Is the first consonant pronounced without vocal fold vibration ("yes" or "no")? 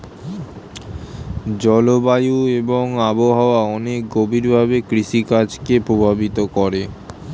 no